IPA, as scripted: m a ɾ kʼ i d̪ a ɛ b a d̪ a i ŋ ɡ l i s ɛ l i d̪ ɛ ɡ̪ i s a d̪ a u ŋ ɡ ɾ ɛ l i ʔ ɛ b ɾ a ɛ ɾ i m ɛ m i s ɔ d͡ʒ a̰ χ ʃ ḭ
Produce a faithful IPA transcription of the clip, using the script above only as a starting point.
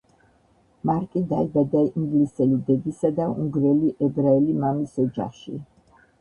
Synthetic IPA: m a ɾ kʼ i d̪ a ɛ b a d̪ a i ŋ ɡ l i s ɛ l i d̪ ɛ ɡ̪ i s a d̪ a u ŋ ɡ ɾ ɛ l i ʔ ɛ b ɾ a ɛ l i m a m i s ɔ d͡ʒ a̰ χ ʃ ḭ